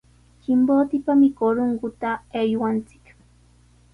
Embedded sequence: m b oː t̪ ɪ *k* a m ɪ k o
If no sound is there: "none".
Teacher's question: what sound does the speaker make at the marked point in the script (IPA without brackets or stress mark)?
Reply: p